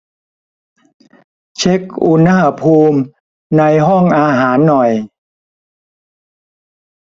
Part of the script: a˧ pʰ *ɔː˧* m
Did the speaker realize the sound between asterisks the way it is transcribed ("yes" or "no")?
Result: no